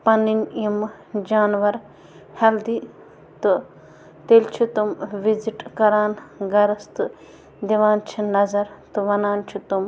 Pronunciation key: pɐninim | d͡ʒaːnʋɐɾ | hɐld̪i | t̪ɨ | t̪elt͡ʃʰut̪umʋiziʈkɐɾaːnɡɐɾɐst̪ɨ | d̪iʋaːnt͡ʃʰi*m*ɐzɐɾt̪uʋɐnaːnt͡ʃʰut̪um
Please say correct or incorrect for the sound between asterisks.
incorrect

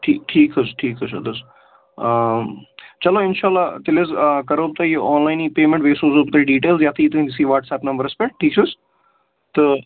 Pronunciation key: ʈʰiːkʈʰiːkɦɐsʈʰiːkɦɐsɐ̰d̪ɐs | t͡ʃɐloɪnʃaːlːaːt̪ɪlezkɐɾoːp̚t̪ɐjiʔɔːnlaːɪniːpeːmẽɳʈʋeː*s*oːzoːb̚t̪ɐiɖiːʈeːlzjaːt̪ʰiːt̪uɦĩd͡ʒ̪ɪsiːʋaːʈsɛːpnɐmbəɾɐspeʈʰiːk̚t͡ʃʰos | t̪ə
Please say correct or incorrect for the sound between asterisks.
correct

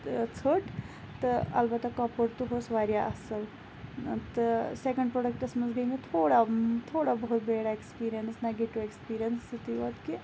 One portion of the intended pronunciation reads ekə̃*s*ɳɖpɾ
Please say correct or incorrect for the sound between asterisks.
incorrect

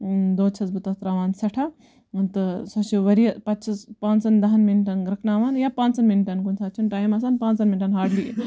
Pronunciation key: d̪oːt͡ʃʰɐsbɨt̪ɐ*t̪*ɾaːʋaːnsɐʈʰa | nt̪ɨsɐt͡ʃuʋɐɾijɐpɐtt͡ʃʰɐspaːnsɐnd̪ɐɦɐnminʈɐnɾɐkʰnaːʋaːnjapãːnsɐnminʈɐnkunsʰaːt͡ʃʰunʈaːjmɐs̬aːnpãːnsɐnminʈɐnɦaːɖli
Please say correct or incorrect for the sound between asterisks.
correct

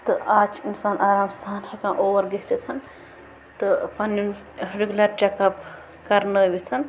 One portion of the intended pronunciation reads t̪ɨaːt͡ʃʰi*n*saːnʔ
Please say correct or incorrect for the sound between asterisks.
correct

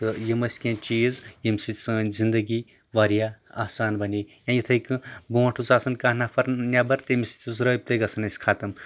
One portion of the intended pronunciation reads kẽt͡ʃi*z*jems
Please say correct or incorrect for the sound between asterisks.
correct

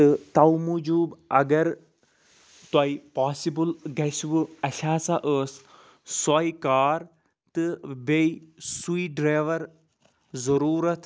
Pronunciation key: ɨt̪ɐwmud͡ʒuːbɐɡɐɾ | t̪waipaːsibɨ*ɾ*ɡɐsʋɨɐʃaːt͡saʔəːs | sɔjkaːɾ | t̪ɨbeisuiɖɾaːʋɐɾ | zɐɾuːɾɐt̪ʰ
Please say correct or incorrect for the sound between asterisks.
incorrect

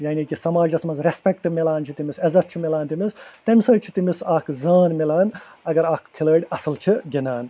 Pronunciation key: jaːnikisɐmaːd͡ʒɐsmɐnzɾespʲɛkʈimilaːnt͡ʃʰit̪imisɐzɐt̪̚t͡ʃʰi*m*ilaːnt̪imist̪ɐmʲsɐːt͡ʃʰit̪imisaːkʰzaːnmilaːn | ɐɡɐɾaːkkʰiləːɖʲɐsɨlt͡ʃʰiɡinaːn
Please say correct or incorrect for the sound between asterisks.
correct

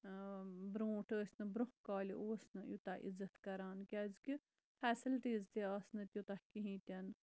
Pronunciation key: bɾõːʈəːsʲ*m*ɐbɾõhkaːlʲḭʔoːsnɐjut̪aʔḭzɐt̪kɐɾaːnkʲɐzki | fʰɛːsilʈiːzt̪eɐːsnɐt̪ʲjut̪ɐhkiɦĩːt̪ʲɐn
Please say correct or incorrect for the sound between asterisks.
incorrect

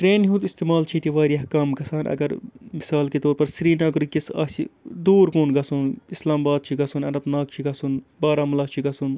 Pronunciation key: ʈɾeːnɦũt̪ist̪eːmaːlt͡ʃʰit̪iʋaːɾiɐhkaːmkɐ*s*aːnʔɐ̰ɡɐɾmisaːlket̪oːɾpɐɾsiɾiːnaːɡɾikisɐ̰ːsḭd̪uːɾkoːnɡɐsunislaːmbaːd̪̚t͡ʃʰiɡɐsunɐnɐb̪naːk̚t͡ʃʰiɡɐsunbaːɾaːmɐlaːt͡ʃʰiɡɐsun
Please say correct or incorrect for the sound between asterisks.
correct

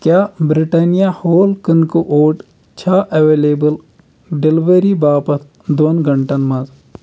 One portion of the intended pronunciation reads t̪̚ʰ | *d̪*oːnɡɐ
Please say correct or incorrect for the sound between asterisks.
correct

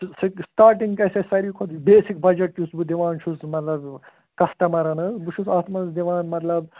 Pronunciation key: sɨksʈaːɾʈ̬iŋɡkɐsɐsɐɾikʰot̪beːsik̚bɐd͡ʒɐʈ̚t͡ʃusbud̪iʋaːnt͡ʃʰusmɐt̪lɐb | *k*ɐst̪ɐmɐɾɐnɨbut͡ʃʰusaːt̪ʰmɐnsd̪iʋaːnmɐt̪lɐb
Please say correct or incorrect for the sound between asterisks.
correct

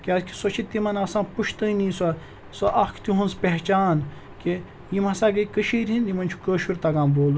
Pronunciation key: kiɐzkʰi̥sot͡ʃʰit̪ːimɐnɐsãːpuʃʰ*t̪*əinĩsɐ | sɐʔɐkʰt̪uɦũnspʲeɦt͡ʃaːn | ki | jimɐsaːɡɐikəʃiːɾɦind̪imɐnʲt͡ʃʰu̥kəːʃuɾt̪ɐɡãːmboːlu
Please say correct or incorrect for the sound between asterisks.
correct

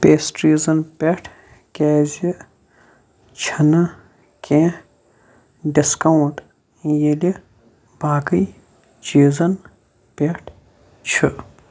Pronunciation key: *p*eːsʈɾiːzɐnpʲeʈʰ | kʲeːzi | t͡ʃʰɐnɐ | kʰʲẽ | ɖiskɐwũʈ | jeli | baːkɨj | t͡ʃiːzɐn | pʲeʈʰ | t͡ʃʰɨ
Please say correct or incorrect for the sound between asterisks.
correct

